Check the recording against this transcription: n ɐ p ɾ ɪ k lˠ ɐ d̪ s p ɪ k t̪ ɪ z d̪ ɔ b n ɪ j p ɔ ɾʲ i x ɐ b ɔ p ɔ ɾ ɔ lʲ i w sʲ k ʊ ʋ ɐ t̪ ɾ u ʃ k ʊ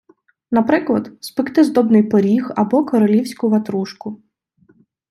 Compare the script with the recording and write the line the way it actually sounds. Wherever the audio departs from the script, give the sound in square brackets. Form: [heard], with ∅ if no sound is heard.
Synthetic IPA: n ɐ p ɾ ɪ k lˠ ɐ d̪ s p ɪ k t̪ ɪ z d̪ ɔ b n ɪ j p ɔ ɾʲ i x ɐ b ɔ [k] ɔ ɾ ɔ lʲ i w sʲ k ʊ ʋ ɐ t̪ ɾ u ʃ k ʊ

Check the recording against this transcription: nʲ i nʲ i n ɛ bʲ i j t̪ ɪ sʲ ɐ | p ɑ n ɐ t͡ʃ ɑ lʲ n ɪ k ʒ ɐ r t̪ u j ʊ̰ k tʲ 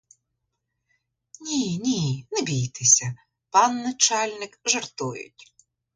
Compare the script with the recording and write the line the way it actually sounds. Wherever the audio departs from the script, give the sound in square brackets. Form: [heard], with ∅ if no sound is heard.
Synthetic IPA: nʲ i nʲ i n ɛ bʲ i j t̪ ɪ sʲ ɐ | p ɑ [nː] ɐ t͡ʃ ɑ lʲ n ɪ k ʒ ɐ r t̪ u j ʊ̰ [∅] tʲ

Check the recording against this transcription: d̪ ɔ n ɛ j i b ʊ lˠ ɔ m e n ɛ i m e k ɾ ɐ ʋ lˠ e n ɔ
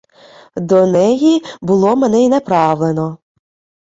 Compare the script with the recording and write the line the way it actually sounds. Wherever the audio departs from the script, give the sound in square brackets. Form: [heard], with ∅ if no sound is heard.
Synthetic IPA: d̪ ɔ n ɛ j i b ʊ lˠ ɔ m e n ɛ i [n] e [p] ɾ [ɑ] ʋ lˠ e n ɔ

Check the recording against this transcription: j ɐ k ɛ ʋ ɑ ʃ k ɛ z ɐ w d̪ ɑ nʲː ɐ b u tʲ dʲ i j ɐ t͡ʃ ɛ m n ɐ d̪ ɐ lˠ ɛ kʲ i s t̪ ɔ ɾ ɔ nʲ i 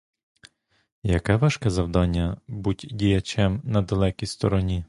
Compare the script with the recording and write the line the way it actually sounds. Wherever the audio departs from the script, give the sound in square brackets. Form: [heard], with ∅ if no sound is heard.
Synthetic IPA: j ɐ k ɛ ʋ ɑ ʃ k ɛ z ɐ w d̪ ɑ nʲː ɐ b u tʲ dʲ i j ɐ t͡ʃ ɛ m n ɐ d̪ ɐ lˠ ɛ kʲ i s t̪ ɔ ɾ ɔ nʲ i

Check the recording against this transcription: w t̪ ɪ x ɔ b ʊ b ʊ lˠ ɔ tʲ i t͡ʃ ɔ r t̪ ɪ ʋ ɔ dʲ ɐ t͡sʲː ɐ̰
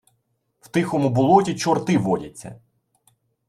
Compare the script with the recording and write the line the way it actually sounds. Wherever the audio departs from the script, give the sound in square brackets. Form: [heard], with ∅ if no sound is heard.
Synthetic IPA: w t̪ ɪ x ɔ [m] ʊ b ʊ lˠ ɔ tʲ i t͡ʃ ɔ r t̪ ɪ ʋ ɔ dʲ ɐ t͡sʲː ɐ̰

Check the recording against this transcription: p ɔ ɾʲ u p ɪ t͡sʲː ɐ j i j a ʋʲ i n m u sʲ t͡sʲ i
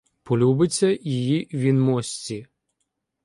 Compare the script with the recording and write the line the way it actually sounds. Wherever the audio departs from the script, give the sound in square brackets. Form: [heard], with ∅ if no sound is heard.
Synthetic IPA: p ɔ [lʲ] u [b] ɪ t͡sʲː ɐ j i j [i] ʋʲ i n m [ɔ] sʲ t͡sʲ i

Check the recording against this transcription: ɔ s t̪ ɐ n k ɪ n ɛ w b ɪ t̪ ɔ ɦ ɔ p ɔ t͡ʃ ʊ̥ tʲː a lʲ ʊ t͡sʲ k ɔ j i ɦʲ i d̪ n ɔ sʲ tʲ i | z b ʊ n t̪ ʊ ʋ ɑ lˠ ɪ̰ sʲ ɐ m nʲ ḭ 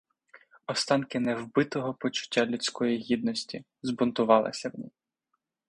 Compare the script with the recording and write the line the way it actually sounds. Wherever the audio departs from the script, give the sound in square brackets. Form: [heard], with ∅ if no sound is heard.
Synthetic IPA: ɔ s t̪ [ɑ] n k ɪ n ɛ w b ɪ t̪ ɔ ɦ ɔ p ɔ t͡ʃ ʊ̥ tʲː a lʲ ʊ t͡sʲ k ɔ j i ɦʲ i d̪ n ɔ sʲ tʲ i | z b ʊ n t̪ ʊ ʋ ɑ lˠ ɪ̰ sʲ ɐ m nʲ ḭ

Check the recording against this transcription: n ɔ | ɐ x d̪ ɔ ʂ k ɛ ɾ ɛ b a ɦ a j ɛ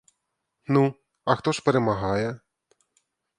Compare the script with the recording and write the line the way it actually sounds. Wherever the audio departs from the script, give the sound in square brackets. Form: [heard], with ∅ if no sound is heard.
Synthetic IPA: n [u] | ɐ x [t̪] ɔ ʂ [p] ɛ ɾ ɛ [m] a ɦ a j ɛ

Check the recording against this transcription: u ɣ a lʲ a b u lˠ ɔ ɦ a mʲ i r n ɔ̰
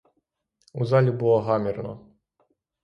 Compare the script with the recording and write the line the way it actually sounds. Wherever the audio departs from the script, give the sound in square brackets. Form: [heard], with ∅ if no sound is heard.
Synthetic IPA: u [z] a lʲ [i] b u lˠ ɔ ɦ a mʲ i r n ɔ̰

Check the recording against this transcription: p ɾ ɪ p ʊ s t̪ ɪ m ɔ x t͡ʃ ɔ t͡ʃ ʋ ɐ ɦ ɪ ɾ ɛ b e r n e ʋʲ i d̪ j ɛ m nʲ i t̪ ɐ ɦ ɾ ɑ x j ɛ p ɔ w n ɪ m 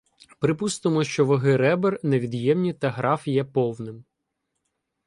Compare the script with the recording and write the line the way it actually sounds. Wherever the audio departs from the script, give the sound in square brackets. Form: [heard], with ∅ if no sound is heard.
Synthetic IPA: p ɾ ɪ p [u] s t̪ ɪ m ɔ [ʃ] t͡ʃ ɔ [∅] ʋ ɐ ɦ ɪ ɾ ɛ b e r n e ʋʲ i d̪ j ɛ m nʲ i t̪ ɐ ɦ ɾ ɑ [f] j ɛ p ɔ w n ɪ m

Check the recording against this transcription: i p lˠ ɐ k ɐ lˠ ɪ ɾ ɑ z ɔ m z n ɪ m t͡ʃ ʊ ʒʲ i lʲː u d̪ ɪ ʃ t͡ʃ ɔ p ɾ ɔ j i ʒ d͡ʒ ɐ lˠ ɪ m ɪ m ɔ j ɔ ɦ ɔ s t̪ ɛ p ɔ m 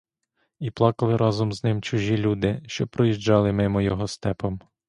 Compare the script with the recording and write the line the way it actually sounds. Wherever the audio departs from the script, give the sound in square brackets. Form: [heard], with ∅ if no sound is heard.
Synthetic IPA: i p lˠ [ɑ] k ɐ lˠ ɪ ɾ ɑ z ɔ m z n ɪ m t͡ʃ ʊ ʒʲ i [lʲ] u d̪ ɪ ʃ t͡ʃ ɔ p ɾ ɔ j i ʒ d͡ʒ [ɑ] lˠ ɪ m ɪ m ɔ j ɔ ɦ ɔ s t̪ ɛ p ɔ m

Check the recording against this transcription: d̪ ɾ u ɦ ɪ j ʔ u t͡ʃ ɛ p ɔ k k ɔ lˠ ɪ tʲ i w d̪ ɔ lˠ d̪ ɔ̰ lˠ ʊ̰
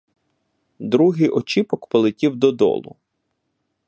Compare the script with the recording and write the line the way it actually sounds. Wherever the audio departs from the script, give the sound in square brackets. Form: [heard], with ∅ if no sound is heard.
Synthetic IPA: d̪ ɾ u ɦ ɪ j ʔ [ɔ] t͡ʃ [i] p ɔ k [p] ɔ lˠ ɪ tʲ i w d̪ ɔ [∅] d̪ ɔ̰ lˠ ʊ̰

